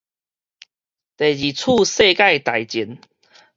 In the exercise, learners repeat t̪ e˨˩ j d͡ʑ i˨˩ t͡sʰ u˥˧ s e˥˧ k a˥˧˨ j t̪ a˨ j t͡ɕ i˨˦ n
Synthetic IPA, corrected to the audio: t̪ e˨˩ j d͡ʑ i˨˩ t͡sʰ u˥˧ s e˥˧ k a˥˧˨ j t̪ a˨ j t͡ɕ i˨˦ n